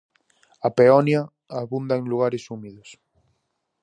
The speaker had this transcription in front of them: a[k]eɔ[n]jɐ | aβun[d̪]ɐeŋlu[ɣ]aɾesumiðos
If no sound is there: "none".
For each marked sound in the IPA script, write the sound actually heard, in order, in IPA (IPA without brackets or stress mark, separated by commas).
p, n, d̪, ɣ